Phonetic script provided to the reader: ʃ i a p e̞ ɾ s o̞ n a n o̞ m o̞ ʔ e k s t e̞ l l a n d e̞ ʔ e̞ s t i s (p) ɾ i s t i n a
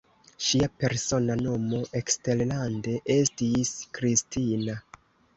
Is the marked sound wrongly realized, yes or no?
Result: yes